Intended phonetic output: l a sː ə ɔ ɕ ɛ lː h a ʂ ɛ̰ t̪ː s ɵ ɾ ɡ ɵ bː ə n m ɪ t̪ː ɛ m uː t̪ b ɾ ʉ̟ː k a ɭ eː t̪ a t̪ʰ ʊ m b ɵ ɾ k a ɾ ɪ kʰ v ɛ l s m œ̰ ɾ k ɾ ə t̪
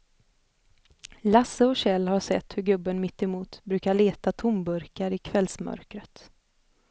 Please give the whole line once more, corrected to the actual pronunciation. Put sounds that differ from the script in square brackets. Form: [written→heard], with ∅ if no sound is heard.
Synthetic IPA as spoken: l a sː ə ɔ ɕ ɛ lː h a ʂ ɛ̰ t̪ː [s→h] ɵ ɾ ɡ ɵ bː ə n m ɪ t̪ː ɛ m uː t̪ b ɾ ʉ̟ː k a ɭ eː t̪ a t̪ʰ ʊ m b ɵ ɾ k a ɾ ɪ kʰ v ɛ l s m œ̰ ɾ k ɾ ə t̪